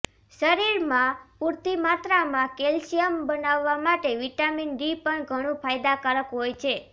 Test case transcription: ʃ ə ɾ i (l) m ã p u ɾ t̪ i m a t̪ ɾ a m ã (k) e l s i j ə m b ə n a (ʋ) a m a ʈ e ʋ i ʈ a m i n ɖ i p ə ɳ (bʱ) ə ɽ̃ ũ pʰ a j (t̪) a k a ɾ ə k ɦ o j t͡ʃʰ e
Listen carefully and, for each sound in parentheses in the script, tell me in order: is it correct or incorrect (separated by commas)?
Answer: incorrect, correct, incorrect, incorrect, incorrect